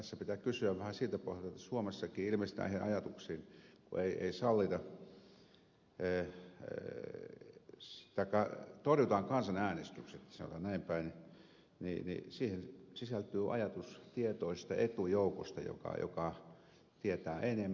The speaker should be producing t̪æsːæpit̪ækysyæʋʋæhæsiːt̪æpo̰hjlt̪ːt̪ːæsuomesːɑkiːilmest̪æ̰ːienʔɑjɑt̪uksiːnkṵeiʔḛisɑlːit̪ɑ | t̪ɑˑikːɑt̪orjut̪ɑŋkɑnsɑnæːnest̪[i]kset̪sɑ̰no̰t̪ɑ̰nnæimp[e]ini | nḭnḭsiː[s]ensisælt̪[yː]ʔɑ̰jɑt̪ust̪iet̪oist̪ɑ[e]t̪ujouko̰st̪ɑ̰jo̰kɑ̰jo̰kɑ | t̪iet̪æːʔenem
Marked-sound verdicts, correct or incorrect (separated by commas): incorrect, incorrect, incorrect, correct, correct